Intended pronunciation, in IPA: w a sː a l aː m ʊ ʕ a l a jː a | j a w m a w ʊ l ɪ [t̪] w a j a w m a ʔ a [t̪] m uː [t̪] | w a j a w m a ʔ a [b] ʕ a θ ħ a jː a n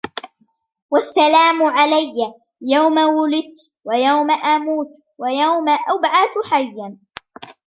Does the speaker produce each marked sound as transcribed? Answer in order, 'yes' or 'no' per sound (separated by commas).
yes, no, yes, yes